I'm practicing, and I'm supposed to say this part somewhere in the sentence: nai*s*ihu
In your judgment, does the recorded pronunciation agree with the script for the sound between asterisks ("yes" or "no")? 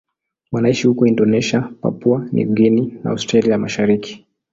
no